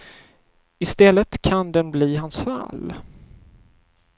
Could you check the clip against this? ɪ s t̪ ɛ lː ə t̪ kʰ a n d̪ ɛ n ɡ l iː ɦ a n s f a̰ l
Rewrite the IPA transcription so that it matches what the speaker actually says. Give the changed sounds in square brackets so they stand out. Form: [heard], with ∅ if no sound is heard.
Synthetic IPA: ɪ s t̪ ɛ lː ə t̪ kʰ a n d̪ ɛ n [b] l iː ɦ a n s f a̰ l